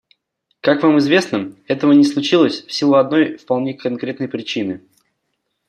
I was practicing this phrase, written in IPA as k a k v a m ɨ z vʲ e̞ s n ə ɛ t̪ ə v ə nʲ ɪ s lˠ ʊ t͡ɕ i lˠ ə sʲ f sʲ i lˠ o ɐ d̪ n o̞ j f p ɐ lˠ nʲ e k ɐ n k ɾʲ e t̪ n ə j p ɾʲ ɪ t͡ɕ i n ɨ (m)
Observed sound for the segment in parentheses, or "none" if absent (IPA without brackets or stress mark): none